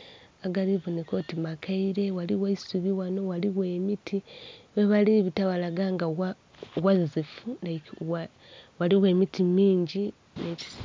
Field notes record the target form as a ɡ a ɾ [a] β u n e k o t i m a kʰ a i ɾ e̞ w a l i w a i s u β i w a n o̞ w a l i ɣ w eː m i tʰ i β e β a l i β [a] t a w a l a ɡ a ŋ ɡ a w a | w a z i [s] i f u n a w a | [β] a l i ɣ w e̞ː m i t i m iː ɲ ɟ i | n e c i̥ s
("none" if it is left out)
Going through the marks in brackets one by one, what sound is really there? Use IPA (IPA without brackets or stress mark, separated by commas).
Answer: i, i, z, w